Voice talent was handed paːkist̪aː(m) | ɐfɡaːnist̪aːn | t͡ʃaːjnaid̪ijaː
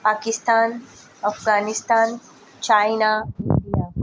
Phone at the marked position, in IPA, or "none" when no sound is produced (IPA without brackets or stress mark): n